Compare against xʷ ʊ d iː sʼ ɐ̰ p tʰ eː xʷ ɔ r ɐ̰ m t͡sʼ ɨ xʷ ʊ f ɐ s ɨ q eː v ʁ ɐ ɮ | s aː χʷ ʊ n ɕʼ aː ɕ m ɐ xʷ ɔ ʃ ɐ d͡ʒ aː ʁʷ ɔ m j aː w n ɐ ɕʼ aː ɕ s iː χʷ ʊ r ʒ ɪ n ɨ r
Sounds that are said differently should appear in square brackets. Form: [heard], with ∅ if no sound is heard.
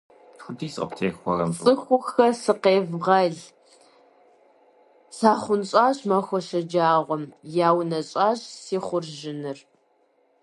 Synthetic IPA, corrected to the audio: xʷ ʊ d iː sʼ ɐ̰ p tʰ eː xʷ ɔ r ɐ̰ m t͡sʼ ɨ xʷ ʊ [x] ɐ s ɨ q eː v ʁ ɐ ɮ | s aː χʷ ʊ n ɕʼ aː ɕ m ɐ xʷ ɔ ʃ ɐ d͡ʒ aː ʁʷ ɔ m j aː w n ɐ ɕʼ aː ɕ s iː χʷ ʊ r ʒ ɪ n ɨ r

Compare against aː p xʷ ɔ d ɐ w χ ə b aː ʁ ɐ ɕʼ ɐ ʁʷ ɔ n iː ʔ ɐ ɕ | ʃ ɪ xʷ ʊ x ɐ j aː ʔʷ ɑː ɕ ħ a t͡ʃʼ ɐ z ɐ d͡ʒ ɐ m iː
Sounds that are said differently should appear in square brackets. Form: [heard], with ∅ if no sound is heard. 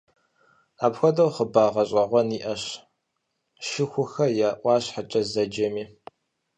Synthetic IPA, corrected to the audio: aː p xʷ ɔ d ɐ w χ ə b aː ʁ ɐ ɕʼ ɐ ʁʷ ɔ n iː ʔ ɐ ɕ | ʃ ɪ xʷ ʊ x ɐ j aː ʔʷ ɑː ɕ ħ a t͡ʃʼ ɐ z ɐ d͡ʒ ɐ m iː

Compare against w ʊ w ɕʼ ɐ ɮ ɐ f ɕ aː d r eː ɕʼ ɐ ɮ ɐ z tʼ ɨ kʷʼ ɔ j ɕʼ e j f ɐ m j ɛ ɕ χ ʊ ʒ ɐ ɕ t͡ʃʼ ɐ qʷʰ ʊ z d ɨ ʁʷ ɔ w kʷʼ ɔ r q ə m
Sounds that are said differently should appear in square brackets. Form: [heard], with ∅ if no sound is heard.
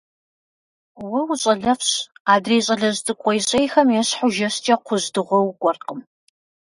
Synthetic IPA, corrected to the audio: w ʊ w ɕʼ ɐ ɮ ɐ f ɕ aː d r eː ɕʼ ɐ ɮ ɐ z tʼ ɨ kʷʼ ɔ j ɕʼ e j [x] ɐ m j ɛ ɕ [ħ] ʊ ʒ ɐ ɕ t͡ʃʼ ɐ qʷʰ ʊ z d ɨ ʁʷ ɔ w kʷʼ ɔ r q ə m

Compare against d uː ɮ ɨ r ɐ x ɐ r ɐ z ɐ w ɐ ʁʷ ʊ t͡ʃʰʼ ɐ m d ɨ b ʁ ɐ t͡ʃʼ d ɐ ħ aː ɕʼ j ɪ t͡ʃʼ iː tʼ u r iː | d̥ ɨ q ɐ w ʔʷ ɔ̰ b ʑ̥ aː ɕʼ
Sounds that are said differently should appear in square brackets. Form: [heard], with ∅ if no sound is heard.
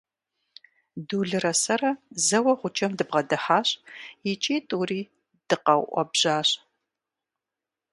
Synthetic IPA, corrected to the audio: d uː ɮ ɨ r ɐ [s] ɐ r ɐ z ɐ w ɐ ʁʷ ʊ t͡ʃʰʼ ɐ m d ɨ b ʁ ɐ [∅] d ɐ ħ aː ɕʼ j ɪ t͡ʃʼ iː tʼ u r iː | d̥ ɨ q ɐ w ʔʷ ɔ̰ b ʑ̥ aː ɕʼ

